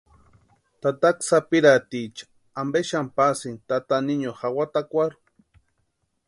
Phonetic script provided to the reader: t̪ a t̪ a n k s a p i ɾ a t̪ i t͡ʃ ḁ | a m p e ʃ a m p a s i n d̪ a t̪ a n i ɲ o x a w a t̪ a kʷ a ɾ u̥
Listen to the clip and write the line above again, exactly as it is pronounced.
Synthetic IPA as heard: t̪ a t̪ a k s a p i ɾ a t̪ i t͡ʃ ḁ | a m b e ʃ a m p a s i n t̪ a t̪ a n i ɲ o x a w a t̪ a kʷ a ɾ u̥